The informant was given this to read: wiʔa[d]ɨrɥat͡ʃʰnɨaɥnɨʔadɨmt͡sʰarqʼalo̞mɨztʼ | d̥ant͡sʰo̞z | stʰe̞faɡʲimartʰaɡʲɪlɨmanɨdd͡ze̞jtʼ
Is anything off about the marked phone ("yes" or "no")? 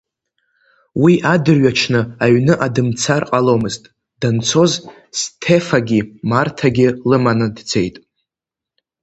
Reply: no